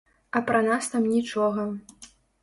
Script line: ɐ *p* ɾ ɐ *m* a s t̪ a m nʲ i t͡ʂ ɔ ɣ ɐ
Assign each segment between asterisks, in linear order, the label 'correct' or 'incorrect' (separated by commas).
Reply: correct, incorrect